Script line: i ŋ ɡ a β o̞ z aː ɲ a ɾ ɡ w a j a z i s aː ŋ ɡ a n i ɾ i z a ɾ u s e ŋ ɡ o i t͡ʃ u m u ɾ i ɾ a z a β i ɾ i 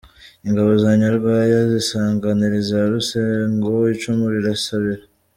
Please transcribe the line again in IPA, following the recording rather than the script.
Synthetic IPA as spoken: i ŋ ɡ a β o̞ z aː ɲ a ɾ ɡ w a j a z i s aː ŋ ɡ a n i ɾ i z a ɾ u s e ŋ ɡ o i t͡ʃ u m u ɾ i ɾ a s a β i ɾ a